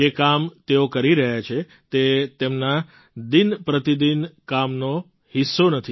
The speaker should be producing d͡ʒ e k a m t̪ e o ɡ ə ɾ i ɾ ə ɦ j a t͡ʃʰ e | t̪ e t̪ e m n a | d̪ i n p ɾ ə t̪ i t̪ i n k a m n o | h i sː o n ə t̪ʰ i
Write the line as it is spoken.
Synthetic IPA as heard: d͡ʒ e k a m t̪ e o k ə ɾ i ɾ ə ɦ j a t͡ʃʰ e | t̪ e t̪ e m n a | d̪ i n p ɾ ə t̪ i d̪ i n k a m n o | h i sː o n ə t̪ʰ i